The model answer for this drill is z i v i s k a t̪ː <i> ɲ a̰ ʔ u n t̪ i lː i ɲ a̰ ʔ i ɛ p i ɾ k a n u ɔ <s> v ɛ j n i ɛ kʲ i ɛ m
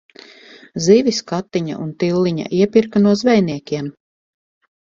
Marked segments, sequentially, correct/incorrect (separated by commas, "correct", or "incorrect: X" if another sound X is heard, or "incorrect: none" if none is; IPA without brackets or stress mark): correct, incorrect: z